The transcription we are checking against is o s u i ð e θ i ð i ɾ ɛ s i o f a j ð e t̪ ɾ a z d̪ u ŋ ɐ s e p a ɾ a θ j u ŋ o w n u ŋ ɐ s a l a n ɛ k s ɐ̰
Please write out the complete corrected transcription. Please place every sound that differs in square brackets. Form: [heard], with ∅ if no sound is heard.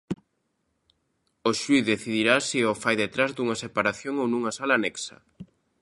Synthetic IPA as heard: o [ʃ] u i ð e θ i ð i ɾ [a] s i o f a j ð e t̪ ɾ a z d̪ u ŋ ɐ s e p a ɾ a θ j [o] ŋ o w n u ŋ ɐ s a l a n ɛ k s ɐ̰